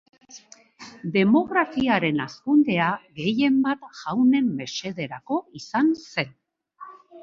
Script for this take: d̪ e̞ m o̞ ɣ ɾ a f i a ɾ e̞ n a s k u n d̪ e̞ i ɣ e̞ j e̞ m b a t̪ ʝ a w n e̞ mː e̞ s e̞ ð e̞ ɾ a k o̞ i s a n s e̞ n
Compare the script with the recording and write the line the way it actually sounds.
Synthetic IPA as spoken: d̪ e̞ m o̞ ɣ ɾ a f i a ɾ e̞ n a s k u n d̪ e̞ a ɣ e̞ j e̞ m b a t̪ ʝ a w n e̞ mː e̞ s e̞ ð e̞ ɾ a k o̞ i s a n s e̞ n

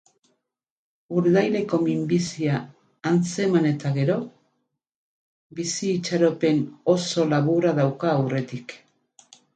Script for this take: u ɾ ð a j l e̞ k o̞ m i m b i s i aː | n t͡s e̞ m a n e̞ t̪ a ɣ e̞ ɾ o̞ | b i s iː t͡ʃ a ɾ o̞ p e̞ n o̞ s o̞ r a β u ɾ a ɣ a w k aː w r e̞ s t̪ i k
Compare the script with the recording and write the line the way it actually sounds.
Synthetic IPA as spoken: u ɾ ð a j l e̞ k o̞ m i m b i s i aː | n t͡s e̞ m a n e̞ t̪ a ɣ e̞ ɾ o̞ | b i s iː t͡ʃ a ɾ o̞ p e̞ n o̞ s o̞ l a β u ɾ a ð a w k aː w r e̞ t̪ i k

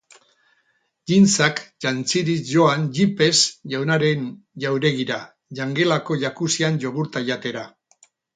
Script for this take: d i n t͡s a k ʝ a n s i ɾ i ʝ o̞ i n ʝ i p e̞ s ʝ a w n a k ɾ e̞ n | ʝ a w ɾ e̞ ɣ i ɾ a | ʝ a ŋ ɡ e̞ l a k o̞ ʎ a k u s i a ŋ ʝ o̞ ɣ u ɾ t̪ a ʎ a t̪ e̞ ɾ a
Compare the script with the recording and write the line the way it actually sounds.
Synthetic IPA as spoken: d i n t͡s a k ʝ a n t͡s i ɾ i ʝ o̞ a n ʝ i p e̞ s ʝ a w n a ɾ e̞ n | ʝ a w ɾ e̞ ɣ i ɾ a | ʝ a ŋ ɡ e̞ l a k o̞ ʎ a k u s i a n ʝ o̞ ɣ u ɾ t̪ a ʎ a t̪ e̞ ɾ a

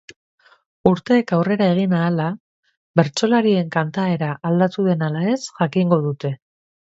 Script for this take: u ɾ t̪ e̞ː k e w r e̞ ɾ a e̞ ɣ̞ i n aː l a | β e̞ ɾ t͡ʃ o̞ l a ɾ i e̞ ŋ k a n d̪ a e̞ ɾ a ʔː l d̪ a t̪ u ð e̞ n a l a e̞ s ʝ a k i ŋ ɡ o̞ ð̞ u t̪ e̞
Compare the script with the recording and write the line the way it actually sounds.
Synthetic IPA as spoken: u ɾ t̪ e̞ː k a w r e̞ ɾ a e̞ ɣ̞ i n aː l a | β e̞ ɾ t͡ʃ o̞ l a ɾ i e̞ ŋ k a n t̪ a e̞ ɾ a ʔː l d̪ a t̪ u ð e̞ n a l a e̞ s ʝ a k i ŋ ɡ o̞ ð̞ u t̪ e̞

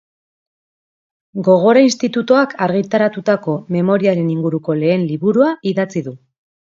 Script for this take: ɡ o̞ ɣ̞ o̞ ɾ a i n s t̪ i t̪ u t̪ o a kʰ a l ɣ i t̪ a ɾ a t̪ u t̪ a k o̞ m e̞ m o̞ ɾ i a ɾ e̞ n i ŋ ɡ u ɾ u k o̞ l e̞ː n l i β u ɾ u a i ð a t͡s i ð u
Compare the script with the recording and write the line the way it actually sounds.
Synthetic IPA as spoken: ɡ o̞ ɣ̞ o̞ ɾ a i n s t̪ i t̪ u t̪ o a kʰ a ɾ ɣ i t̪ a ɾ a t̪ u t̪ a k o̞ m e̞ m o̞ ɾ i a ɾ e̞ n i ŋ ɡ u ɾ u k o̞ l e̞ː n l i β u ɾ u a i ð a t͡s i ð u

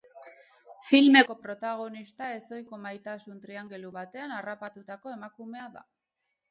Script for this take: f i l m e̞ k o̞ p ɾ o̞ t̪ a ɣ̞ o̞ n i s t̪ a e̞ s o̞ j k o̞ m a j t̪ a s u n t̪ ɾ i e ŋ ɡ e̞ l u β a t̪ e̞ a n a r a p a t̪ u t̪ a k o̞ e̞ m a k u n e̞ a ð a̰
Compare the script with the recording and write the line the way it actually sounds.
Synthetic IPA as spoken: f i l m e̞ k o̞ p ɾ o̞ t̪ a ɣ̞ o̞ n i s t̪ a e̞ s o̞ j k o̞ m a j t̪ a s u n t̪ ɾ i a ŋ ɡ e̞ l u β a t̪ e̞ a n a r a p a t̪ u t̪ a k o̞ e̞ m a k u m e̞ a ð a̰

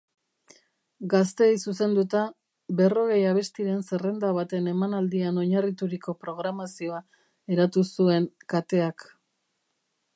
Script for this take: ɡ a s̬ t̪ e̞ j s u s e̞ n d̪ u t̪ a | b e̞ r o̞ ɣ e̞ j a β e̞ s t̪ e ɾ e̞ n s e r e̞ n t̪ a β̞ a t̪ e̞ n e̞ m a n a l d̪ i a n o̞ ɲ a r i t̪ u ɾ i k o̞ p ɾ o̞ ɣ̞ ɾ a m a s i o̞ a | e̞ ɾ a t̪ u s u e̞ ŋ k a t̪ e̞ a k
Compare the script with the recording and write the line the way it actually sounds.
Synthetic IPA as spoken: ɡ a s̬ t̪ e̞ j s u s e̞ n d̪ u t̪ a | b e̞ r o̞ ɣ e̞ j a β e̞ s t̪ i ɾ e̞ n s e r e̞ n d̪ a β̞ a t̪ e̞ n e̞ m a n a l d̪ i a n o̞ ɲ a r i t̪ u ɾ i k o̞ p ɾ o̞ ɣ̞ ɾ a m a s i o̞ a | e̞ ɾ a t̪ u s u e̞ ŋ k a t̪ e̞ a k

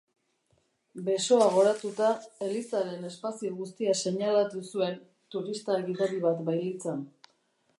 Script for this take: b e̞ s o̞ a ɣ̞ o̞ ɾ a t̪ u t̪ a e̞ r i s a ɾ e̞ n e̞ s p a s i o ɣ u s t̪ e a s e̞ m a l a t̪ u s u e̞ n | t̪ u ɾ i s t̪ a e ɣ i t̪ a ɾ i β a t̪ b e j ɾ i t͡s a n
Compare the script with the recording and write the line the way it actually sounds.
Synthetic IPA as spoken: b e̞ s o̞ a ɣ̞ o̞ ɾ a t̪ u t̪ a e̞ l i s a ɾ e̞ n e̞ s p a s i o ɣ u s t̪ i a s e̞ ɲ a l a t̪ u s u e̞ n | t̪ u ɾ i s t̪ a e ɣ i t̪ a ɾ i β a t̪ b a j l i t͡s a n

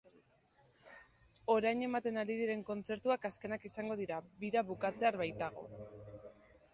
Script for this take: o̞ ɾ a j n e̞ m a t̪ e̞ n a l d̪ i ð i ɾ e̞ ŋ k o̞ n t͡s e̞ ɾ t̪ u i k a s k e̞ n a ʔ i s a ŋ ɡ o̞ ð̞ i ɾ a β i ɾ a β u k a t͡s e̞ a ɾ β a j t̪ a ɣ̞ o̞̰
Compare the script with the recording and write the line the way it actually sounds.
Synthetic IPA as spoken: o̞ ɾ a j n e̞ m a t̪ e̞ n a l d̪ i ð i ɾ e̞ ŋ k o̞ n t͡s e̞ ɾ t̪ u a k a s k e̞ n a k i s a ŋ ɡ o̞ ð̞ i ɾ a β i ɾ a β u k a t͡s e̞ a ɾ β a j t̪ a ɣ̞ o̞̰

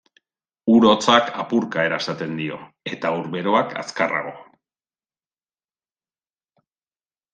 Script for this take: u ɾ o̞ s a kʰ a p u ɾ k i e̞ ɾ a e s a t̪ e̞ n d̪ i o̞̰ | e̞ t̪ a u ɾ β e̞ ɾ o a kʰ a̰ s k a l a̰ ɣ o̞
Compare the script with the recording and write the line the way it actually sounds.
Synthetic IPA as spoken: u ɾ o̞ t͡s a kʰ a p u ɾ k a e̞ ɾ a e s a t̪ e̞ n d̪ i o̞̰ | e̞ t̪ a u ɾ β e̞ ɾ o a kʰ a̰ s k a r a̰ ɣ o̞

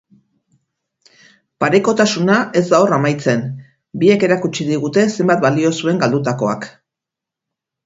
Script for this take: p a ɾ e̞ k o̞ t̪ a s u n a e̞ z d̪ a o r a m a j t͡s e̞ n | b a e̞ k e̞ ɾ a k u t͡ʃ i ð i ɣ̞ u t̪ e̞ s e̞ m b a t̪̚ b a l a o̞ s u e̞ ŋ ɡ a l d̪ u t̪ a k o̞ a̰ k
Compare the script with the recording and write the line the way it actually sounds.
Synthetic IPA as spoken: p a ɾ e̞ k o̞ t̪ a s u n a e̞ z d̪ a o r a m a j t͡s e̞ n | b i e̞ k e̞ ɾ a k u t͡ʃ i ð i ɣ̞ u t̪ e̞ s e̞ m b a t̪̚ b a l i o̞ s u e̞ ŋ ɡ a l d̪ u t̪ a k o̞ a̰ k

